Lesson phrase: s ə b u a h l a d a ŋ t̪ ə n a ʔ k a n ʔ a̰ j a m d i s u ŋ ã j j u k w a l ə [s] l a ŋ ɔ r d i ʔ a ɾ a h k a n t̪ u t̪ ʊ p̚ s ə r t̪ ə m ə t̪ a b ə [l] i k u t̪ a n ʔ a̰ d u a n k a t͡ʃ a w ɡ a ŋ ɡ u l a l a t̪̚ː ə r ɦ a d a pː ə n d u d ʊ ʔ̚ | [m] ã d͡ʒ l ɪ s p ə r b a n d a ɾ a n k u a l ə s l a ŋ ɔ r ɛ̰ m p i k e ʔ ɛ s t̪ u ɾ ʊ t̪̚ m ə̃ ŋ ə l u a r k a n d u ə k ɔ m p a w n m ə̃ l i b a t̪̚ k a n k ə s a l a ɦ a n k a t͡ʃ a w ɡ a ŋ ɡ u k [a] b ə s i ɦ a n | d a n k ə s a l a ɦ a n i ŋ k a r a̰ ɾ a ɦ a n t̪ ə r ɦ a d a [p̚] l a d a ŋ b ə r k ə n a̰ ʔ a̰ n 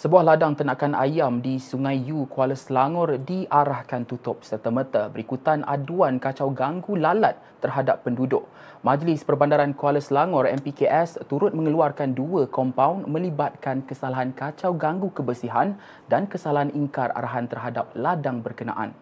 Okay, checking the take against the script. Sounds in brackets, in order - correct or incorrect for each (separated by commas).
correct, incorrect, correct, incorrect, correct